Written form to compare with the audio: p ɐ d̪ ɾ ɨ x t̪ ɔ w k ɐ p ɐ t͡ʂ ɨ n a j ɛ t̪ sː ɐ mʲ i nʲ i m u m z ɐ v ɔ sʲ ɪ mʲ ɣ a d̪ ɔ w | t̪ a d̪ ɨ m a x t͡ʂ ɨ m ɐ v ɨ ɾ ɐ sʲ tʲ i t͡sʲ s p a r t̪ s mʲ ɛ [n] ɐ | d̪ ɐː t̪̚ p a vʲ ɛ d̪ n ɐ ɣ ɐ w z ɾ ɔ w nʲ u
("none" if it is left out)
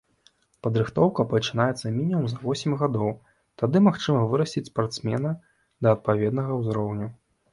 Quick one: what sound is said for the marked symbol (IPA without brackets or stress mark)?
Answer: n